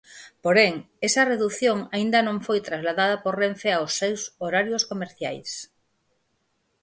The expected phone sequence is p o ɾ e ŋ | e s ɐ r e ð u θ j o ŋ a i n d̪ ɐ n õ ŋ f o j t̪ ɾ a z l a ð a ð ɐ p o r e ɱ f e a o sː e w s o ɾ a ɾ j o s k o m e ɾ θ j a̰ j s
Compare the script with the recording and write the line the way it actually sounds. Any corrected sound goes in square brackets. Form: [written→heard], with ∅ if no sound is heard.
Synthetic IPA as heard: p o ɾ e ŋ | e s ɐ r e ð u θ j o ŋ a i n d̪ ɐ n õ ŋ f o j t̪ ɾ a z l a ð a ð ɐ p o r e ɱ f e a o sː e w s o ɾ a ɾ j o s k o m e ɾ θ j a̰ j s